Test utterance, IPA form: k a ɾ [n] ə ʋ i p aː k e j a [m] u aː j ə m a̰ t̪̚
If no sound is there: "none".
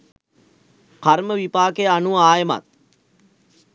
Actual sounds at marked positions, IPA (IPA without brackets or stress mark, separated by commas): m, n